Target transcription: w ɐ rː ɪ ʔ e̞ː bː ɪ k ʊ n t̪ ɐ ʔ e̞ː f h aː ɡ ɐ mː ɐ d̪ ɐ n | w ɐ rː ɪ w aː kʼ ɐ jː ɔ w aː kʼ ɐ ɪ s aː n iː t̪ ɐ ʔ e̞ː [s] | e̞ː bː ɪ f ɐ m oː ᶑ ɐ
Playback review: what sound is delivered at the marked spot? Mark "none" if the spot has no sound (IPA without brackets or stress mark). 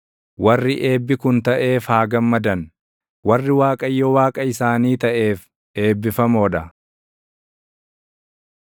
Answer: f